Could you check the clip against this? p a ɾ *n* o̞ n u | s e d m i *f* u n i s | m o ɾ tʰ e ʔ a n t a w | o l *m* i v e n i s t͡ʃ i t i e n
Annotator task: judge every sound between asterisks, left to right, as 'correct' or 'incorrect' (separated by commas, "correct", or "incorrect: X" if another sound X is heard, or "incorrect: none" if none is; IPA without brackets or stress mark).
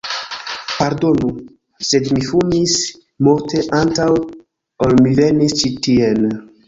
incorrect: d, correct, correct